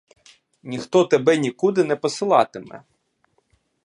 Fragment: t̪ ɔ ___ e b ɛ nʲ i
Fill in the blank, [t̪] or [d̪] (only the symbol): t̪